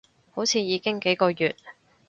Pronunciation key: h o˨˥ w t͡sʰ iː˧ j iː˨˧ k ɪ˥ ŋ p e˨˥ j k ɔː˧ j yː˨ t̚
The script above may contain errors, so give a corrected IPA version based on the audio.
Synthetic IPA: h o˨˥ w t͡sʰ iː˧ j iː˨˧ k ɪ˥ ŋ k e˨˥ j k ɔː˧ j yː˨ t̚